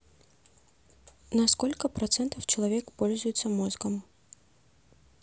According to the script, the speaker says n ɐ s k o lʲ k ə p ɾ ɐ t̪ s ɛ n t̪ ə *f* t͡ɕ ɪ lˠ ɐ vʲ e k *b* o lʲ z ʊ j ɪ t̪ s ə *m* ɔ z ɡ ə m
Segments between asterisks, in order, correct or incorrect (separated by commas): correct, incorrect, correct